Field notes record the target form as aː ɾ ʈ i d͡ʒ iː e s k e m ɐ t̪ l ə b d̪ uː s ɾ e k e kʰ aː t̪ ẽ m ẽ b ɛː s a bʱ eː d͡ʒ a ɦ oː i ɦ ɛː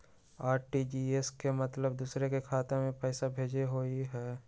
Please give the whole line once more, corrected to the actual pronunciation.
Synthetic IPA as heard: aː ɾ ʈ i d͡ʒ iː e s k e m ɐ t̪ l ə b d̪ uː s ɾ e k e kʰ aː t̪ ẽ m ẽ p ɛː s a bʱ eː d͡ʒ e ɦ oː i ɦ ɛː